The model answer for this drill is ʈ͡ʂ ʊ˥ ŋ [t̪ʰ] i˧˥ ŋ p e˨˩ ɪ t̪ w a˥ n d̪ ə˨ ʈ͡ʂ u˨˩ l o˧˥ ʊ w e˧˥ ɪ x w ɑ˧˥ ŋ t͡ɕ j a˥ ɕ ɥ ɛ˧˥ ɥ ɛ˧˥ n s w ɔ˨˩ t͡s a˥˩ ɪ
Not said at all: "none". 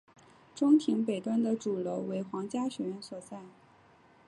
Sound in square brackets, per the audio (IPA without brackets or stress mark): t̪ʰ